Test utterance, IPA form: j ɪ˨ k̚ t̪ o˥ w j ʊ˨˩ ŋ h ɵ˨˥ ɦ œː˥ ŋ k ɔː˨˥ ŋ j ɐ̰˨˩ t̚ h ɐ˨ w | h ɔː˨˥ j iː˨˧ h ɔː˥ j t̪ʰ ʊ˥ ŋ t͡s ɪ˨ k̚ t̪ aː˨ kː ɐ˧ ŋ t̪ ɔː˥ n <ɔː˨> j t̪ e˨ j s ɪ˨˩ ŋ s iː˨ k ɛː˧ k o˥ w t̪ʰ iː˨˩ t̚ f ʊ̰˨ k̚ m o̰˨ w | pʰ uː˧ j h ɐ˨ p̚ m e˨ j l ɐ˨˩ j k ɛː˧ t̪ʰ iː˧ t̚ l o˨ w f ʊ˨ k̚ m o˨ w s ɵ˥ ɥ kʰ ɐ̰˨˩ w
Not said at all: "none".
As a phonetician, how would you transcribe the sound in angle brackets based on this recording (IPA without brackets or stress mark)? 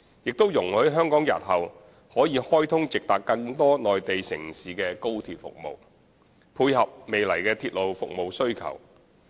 ɔː˨